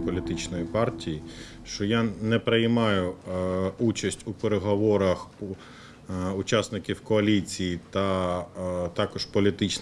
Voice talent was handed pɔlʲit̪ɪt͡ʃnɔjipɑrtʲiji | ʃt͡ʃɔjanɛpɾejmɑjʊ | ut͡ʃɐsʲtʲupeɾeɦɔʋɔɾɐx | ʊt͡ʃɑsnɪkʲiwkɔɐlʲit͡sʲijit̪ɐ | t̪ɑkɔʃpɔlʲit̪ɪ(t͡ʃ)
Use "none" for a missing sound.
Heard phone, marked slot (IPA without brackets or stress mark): t͡ʃ